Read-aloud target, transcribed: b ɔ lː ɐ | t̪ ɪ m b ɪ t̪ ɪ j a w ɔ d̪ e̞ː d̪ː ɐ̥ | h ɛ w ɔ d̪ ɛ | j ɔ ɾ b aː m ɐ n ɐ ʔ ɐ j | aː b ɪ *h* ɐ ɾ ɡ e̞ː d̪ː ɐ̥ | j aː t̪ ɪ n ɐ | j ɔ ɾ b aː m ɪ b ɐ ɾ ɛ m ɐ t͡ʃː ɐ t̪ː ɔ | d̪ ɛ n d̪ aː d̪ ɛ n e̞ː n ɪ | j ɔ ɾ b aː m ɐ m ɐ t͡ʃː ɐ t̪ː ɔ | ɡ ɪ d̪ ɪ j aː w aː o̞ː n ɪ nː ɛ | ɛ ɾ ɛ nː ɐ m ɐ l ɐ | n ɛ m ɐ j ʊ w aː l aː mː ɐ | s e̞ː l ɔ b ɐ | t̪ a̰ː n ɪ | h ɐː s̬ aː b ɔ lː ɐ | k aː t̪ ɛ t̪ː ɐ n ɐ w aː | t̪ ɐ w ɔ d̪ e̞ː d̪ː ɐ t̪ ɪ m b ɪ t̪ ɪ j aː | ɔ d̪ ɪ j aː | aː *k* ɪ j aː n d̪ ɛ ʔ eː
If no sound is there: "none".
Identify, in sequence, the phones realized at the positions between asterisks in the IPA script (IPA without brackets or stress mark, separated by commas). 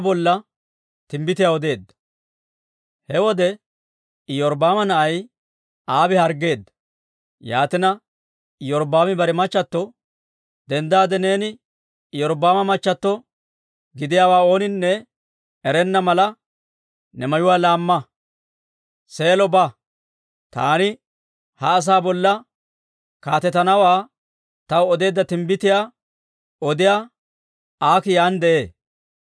h, k